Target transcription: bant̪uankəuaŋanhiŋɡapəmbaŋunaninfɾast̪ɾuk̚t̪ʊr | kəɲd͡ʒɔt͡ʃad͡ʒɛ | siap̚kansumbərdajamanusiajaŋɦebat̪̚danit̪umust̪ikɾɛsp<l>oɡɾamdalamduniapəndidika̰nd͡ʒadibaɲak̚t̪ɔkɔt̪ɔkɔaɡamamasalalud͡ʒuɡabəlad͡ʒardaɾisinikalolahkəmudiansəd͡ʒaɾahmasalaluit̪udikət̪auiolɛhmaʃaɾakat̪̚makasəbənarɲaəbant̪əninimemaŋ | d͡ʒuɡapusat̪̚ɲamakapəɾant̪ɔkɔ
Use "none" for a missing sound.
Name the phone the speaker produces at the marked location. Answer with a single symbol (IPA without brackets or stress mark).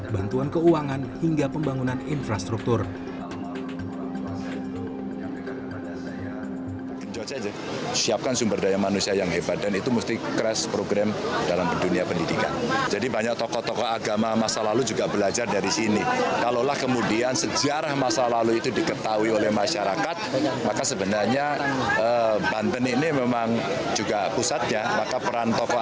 ɾ